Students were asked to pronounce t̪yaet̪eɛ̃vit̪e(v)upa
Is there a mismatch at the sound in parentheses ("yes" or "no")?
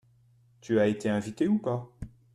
yes